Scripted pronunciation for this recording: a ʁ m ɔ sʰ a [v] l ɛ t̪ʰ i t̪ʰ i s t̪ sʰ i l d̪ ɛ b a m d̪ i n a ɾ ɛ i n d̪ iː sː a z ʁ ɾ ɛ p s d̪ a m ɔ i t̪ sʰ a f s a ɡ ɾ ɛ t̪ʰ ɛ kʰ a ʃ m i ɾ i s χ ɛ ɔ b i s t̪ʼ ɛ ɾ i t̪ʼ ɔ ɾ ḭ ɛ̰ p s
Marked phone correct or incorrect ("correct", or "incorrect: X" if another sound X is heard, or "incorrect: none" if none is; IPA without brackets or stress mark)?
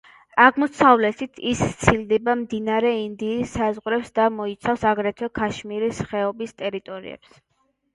correct